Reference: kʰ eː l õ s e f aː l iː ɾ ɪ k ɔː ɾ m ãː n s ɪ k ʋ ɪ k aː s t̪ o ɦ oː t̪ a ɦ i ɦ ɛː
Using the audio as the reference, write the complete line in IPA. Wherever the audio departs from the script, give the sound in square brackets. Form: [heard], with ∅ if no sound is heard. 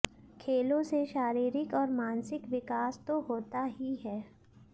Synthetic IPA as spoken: kʰ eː l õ s e [ʃ] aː [ɾ] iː ɾ ɪ k ɔː ɾ m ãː n s ɪ k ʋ ɪ k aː s t̪ o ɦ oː t̪ a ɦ i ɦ ɛː